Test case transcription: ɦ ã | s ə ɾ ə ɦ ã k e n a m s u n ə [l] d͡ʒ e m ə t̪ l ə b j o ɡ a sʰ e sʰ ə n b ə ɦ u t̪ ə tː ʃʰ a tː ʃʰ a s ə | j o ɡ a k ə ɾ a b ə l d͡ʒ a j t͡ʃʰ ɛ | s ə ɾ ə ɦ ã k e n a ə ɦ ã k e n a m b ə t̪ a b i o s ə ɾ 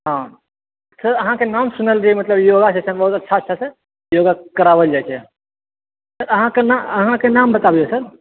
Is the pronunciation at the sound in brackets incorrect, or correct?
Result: correct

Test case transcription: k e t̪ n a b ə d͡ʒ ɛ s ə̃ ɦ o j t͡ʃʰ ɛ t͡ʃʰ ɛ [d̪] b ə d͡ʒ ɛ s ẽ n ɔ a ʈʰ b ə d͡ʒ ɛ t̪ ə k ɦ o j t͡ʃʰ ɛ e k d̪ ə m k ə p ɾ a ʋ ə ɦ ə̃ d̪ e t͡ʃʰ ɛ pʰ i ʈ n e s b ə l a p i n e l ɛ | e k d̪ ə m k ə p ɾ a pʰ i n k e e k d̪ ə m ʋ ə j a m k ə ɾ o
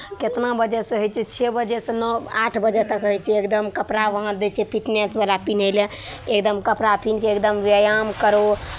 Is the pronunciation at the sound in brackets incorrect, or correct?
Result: incorrect: none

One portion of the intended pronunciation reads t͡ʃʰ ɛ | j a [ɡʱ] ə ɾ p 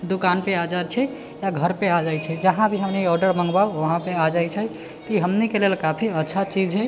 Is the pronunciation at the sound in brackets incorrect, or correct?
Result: correct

